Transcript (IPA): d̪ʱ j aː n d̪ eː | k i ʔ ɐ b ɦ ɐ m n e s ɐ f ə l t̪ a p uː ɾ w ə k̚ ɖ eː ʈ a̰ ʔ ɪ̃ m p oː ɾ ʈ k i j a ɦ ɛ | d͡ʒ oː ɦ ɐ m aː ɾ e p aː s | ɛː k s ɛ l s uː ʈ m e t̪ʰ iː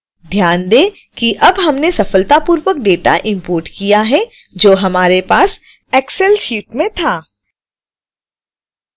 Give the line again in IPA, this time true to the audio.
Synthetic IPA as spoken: d̪ʱ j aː n d̪ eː | k i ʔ ɐ b ɦ ɐ m n e s ɐ f ə l t̪ a p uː ɾ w ə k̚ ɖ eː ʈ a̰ ʔ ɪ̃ m p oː ɾ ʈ k i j a ɦ ɛ | d͡ʒ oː ɦ ɐ m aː ɾ e p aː s | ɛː k s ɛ l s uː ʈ m ẽ t̪ʰ aː